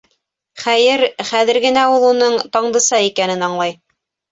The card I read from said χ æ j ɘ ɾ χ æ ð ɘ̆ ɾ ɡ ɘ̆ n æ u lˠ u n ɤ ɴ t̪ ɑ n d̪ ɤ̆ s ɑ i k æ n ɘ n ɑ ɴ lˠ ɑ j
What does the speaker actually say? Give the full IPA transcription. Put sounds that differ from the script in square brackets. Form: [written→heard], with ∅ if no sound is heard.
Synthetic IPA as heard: χ æ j ɘ ɾ χ æ ð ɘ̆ ɾ ɡ ɘ̆ n æ u lˠ u n ɤ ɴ t̪ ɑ [n→ɴ] d̪ ɤ̆ s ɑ i k æ n ɘ n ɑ ɴ lˠ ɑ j